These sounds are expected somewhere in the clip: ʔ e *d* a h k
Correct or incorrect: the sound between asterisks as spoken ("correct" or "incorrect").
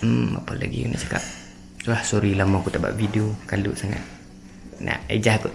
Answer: incorrect